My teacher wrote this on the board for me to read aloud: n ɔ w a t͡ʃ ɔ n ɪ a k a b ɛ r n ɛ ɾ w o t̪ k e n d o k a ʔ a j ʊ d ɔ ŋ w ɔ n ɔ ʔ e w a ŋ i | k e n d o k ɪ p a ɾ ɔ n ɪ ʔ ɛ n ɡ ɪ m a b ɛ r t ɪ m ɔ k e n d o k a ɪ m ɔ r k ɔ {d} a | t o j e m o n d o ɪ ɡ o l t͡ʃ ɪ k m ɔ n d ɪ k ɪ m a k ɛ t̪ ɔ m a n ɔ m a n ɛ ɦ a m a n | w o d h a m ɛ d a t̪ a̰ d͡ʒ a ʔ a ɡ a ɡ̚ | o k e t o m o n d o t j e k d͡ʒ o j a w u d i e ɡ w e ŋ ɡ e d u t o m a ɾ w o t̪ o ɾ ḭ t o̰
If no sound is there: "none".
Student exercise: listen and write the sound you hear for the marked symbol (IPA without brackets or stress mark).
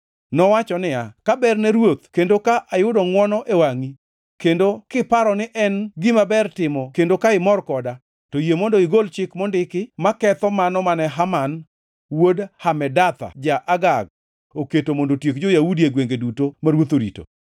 d